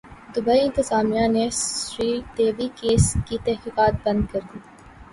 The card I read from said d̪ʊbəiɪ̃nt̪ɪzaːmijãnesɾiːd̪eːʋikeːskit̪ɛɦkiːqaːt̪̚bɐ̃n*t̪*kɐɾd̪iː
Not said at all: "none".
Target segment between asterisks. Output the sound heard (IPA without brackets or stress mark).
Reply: d̪